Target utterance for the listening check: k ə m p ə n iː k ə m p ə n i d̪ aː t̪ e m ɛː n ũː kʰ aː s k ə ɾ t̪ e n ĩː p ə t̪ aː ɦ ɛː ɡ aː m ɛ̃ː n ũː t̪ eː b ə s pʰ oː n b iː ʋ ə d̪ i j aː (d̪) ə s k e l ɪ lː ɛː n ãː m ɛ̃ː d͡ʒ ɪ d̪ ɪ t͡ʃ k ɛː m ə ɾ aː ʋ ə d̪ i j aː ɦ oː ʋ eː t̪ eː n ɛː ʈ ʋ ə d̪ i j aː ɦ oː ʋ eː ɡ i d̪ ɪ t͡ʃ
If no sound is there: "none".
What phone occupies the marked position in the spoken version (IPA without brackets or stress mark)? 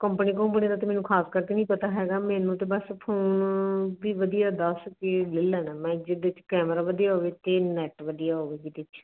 d̪